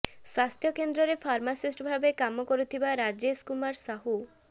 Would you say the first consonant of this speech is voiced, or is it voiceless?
voiceless